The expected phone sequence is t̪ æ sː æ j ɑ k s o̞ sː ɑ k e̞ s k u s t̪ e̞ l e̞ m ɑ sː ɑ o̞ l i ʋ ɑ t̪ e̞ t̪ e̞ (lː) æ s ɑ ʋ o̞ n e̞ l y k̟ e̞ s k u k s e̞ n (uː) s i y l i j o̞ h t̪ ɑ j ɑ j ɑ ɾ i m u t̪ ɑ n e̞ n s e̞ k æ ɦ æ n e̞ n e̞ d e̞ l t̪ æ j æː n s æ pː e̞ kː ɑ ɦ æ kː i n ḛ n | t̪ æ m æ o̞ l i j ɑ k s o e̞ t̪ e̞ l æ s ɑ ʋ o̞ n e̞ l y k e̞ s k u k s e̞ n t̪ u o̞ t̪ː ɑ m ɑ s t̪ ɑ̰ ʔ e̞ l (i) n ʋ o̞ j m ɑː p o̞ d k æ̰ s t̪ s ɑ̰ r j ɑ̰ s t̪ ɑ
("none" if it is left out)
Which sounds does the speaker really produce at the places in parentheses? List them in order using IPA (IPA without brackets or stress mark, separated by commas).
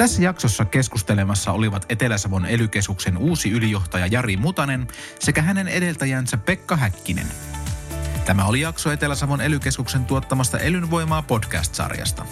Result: l, uː, y